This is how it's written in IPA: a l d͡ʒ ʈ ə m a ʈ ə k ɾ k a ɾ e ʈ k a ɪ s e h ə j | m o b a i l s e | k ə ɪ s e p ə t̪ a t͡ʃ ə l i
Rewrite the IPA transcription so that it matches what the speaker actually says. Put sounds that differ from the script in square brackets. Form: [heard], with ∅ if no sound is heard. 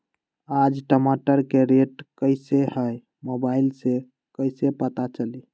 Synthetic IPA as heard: a [∅] d͡ʒ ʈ ə m a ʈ ə [∅] ɾ k [e] ɾ e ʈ k [ə] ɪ s e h ə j | m o b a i l s e | k ə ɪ s e p ə t̪ a t͡ʃ ə l i